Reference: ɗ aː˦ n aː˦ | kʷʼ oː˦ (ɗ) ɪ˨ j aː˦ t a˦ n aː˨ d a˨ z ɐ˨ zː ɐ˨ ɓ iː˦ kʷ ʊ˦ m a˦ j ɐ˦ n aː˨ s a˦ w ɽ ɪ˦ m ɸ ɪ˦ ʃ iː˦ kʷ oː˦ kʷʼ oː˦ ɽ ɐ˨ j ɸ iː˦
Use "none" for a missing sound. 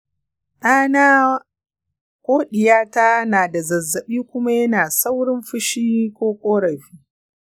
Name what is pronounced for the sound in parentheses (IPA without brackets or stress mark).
ɗ